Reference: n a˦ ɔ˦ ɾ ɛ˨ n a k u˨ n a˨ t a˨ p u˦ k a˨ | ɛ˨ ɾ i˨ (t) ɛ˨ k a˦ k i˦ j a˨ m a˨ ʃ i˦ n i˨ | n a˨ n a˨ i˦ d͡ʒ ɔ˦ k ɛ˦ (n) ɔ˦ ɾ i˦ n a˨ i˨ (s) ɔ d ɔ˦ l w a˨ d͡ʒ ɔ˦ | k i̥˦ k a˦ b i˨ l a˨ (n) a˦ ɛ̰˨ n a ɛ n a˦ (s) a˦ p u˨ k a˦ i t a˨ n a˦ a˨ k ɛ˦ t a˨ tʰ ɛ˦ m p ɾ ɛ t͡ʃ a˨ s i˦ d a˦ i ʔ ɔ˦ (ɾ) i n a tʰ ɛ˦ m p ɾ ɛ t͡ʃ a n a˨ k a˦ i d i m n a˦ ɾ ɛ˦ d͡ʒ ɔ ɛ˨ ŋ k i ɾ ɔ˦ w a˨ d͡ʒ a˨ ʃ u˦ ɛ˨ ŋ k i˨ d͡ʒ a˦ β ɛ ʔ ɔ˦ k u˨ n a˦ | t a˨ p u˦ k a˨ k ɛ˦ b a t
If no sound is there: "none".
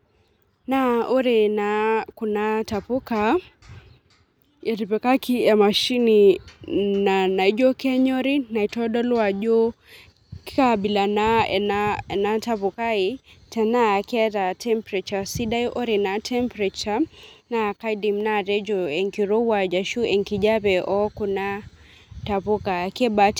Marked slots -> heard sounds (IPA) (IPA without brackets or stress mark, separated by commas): p, ɲ, t, n, t, ɾ